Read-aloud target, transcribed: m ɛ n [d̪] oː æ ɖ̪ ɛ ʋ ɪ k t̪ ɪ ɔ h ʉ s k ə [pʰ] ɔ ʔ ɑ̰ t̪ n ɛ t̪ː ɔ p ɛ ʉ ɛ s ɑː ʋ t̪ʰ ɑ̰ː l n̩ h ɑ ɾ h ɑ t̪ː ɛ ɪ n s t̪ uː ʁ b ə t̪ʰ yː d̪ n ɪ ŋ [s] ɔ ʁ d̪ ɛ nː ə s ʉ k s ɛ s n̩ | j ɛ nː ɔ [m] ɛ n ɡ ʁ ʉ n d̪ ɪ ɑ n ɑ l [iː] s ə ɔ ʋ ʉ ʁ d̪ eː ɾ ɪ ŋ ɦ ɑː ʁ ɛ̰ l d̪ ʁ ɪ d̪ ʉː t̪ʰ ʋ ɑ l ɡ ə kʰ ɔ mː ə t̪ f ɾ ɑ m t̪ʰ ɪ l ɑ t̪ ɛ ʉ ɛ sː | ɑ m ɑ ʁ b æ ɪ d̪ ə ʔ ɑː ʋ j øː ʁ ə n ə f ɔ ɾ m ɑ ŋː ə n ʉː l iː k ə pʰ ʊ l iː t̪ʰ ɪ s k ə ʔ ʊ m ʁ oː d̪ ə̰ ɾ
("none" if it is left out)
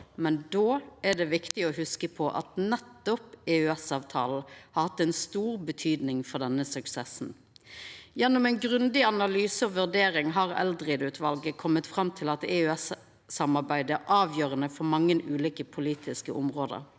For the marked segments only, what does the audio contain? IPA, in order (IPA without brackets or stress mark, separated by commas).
d̪, pʰ, f, m, yː